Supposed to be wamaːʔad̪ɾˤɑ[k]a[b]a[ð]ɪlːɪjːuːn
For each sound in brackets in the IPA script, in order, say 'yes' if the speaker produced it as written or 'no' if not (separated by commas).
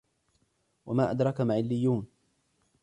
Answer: yes, no, no